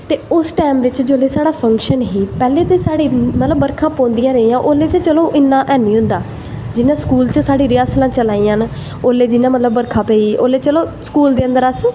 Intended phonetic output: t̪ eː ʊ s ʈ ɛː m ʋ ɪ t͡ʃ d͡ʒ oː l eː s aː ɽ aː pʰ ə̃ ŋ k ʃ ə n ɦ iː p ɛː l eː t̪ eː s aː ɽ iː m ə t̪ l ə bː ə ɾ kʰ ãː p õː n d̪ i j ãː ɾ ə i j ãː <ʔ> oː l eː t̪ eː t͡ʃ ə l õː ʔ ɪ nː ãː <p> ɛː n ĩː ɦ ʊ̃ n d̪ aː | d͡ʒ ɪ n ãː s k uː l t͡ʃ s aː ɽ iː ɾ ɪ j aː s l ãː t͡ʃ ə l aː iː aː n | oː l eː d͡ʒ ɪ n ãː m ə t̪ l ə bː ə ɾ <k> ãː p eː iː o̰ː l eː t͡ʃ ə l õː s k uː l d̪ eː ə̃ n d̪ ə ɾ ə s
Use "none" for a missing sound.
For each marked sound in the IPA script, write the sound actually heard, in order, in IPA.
ʔ, ʔ, kʰ

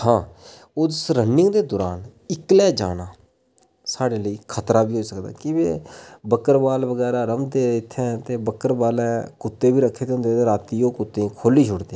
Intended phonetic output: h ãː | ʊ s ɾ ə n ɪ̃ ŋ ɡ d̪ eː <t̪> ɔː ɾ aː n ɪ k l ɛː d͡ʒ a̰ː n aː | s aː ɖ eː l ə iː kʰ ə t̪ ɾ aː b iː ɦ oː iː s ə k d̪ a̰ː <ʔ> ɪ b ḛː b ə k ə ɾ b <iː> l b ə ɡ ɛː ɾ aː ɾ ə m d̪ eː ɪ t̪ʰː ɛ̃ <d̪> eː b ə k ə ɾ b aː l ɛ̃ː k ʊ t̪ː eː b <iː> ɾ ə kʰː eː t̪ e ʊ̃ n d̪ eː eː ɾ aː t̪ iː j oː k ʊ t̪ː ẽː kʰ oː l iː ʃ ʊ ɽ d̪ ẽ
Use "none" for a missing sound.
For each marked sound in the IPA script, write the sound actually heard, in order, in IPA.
d̪, k, aː, t̪, iː

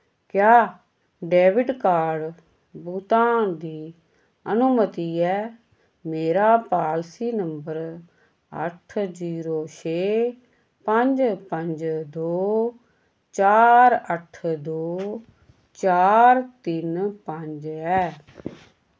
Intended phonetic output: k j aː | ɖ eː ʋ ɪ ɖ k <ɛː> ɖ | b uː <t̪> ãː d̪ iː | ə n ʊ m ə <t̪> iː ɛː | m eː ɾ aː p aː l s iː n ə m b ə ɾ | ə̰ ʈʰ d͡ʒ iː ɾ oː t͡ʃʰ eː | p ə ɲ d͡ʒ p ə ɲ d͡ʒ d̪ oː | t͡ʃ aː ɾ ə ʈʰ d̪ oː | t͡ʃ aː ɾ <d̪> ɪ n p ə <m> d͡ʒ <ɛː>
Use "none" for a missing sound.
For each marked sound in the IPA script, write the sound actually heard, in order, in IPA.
aː, t̪, t̪, t̪, ɲ, ɛː

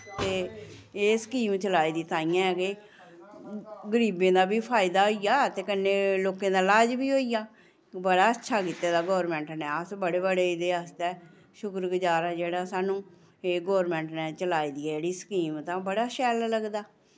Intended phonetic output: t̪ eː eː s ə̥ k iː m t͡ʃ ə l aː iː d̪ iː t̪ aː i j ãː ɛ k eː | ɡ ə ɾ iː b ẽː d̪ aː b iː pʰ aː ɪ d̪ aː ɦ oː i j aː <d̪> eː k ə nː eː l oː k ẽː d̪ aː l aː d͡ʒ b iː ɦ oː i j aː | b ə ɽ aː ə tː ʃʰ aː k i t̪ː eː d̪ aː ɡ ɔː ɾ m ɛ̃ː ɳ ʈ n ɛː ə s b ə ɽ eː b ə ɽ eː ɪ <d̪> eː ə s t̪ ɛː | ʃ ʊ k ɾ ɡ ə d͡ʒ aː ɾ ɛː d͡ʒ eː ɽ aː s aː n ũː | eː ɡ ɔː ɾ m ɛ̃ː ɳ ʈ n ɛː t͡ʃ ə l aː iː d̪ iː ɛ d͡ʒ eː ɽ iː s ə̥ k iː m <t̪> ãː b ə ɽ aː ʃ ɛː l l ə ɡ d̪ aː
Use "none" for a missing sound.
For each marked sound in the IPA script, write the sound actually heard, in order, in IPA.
t̪, d̪, t̪

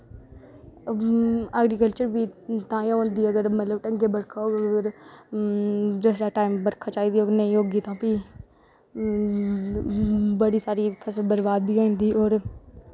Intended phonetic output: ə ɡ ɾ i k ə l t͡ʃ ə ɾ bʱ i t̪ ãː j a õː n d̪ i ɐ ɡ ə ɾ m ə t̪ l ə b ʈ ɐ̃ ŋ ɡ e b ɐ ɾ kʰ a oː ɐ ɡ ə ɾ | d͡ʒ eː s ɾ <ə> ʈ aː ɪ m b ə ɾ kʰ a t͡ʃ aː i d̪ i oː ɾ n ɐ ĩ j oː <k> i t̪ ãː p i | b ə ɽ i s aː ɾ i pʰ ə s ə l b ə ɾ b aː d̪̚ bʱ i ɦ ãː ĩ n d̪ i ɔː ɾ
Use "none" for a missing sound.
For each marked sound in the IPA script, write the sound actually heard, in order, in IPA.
a, ɡ

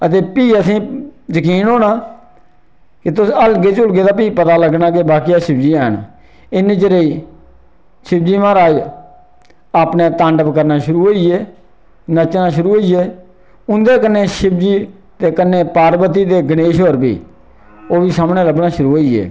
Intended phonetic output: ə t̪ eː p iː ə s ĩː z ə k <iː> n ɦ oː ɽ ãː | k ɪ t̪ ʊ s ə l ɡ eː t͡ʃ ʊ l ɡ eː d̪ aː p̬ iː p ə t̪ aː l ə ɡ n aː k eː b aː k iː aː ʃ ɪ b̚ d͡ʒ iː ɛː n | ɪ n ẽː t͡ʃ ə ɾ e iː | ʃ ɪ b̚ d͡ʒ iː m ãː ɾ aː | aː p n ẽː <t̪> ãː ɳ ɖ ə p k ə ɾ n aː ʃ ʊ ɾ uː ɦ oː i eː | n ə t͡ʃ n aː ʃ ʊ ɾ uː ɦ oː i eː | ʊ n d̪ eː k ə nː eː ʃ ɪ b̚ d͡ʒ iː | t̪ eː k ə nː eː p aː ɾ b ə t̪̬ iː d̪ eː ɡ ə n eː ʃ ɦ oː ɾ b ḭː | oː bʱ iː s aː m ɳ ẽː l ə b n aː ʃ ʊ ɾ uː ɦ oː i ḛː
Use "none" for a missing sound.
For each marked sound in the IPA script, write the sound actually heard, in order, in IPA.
iː, t̪

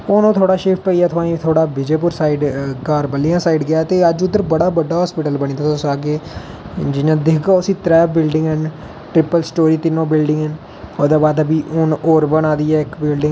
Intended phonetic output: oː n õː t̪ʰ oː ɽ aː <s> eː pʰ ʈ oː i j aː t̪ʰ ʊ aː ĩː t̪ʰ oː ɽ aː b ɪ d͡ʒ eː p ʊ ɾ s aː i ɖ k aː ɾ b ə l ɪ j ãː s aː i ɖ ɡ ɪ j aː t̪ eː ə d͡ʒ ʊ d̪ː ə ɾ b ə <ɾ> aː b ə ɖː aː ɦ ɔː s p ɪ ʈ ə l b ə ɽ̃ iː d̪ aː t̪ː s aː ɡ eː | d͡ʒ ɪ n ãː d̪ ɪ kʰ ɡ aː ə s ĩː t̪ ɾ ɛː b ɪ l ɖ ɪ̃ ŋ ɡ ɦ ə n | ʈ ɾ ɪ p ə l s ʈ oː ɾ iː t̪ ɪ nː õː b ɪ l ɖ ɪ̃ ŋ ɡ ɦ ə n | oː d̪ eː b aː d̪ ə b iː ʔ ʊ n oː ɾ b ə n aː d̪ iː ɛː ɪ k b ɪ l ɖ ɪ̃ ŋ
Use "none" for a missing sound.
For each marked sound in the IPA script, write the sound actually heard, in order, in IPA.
ʃ, ɽ

